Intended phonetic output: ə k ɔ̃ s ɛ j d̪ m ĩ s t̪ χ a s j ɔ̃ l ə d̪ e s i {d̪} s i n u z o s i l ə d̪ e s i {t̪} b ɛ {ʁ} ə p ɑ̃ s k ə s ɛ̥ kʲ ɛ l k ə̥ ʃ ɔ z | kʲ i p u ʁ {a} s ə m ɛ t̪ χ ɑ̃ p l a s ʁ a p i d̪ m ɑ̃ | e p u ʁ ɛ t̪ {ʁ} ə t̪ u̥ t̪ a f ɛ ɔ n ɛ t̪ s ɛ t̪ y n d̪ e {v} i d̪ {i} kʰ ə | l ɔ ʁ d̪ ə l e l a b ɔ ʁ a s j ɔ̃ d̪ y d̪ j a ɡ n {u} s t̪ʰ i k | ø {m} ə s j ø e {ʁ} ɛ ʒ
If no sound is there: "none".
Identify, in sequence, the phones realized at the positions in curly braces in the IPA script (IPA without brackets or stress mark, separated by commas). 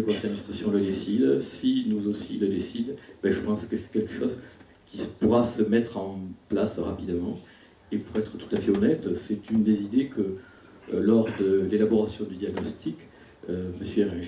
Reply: d̪, d̪, ʒ, a, χ, z, e, ɔ, m, ʁ